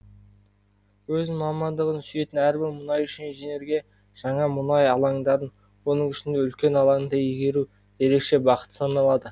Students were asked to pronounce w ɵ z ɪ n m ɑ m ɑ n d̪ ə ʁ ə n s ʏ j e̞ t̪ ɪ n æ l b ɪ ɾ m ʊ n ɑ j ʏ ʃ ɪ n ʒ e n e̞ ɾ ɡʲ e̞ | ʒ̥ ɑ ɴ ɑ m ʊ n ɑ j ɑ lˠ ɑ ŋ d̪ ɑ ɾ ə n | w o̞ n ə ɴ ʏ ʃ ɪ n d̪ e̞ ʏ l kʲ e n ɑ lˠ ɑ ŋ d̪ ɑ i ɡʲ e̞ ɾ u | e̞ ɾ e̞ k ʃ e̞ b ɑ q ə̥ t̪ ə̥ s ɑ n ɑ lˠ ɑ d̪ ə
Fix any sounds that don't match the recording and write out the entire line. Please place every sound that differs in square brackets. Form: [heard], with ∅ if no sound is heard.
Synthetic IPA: w ɵ z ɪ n m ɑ m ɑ n d̪ ə ʁ ə n s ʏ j e̞ t̪ ɪ n æ [ɾ] b ɪ ɾ m ʊ n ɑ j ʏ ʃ ɪ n ʒ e n e̞ ɾ ɡʲ e̞ | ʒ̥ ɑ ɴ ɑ m ʊ n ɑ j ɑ lˠ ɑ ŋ d̪ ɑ ɾ ə n | w o̞ n ə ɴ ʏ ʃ ɪ n d̪ e̞ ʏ l kʲ e n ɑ lˠ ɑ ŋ d̪ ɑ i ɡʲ e̞ ɾ u | e̞ ɾ e̞ k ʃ e̞ b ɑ q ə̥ t̪ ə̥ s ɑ n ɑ lˠ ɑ d̪ ə